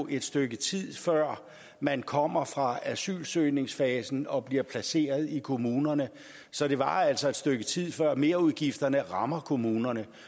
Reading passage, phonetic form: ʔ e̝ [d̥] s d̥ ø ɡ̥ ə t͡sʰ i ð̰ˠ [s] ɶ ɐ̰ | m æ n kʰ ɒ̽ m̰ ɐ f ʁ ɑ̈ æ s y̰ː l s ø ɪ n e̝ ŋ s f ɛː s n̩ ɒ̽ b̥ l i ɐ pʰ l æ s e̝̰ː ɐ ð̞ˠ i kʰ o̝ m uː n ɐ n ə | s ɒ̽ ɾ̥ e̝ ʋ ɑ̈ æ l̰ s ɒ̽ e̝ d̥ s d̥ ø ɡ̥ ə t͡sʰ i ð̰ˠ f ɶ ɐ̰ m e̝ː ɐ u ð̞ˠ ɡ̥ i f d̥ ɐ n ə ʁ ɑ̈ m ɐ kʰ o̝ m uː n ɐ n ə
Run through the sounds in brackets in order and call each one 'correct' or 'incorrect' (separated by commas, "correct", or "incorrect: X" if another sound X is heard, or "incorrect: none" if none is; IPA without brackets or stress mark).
correct, incorrect: f